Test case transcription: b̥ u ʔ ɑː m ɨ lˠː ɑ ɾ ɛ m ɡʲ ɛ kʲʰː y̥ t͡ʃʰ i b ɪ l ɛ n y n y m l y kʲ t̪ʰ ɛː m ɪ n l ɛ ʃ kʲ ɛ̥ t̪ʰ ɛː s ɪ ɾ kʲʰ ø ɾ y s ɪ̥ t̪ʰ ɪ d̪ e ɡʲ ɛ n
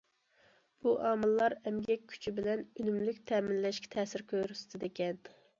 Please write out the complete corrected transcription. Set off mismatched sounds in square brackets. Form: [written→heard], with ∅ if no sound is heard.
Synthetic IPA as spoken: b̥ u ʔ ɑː m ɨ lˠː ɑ ɾ ɛ m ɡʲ ɛ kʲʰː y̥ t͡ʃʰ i b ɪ l ɛ n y n y m l y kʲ t̪ʰ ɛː m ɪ n l ɛ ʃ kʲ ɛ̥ t̪ʰ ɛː s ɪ ɾ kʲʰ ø ɾ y s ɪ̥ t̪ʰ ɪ d̪ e [ɡʲ→kʲ] ɛ n